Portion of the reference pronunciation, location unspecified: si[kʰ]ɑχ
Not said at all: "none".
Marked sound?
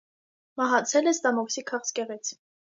kʰ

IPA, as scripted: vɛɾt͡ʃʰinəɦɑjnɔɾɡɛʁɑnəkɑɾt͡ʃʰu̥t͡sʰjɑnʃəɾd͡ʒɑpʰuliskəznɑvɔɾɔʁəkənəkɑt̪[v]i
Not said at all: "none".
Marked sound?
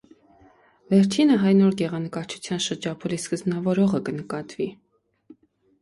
v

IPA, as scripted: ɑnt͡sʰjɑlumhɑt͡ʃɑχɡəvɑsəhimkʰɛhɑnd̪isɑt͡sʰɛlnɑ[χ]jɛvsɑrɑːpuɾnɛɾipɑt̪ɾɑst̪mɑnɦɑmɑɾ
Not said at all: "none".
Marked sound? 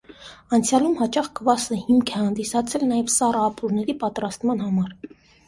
none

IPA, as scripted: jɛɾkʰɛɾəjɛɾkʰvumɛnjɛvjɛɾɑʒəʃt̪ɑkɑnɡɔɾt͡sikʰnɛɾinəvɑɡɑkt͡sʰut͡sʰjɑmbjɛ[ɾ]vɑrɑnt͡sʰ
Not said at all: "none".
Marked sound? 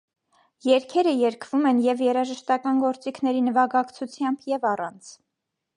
none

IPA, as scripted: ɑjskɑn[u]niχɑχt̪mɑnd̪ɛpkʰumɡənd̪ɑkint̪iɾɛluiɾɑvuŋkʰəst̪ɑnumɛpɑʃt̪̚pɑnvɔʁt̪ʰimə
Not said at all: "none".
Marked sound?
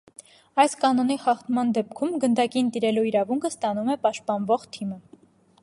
ɔ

